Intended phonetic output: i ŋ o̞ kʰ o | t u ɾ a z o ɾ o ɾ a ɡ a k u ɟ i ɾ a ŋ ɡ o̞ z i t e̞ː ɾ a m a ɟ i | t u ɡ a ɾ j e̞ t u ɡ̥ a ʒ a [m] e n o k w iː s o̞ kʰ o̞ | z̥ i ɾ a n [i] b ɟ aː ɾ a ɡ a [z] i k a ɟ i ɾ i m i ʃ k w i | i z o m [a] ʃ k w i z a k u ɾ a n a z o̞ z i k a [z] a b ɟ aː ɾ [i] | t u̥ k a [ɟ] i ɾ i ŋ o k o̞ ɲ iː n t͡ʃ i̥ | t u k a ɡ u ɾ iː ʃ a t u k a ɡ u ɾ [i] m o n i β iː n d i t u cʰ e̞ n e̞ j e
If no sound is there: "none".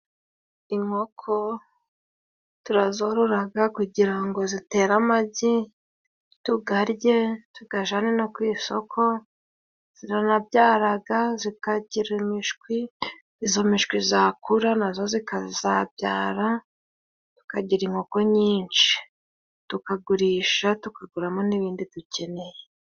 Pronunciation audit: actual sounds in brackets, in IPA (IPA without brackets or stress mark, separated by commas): n, a, z, i, z, a, ɟ, a